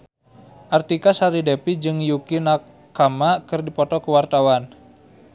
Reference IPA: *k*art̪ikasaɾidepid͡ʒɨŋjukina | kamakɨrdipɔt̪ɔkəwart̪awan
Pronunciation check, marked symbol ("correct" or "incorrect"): incorrect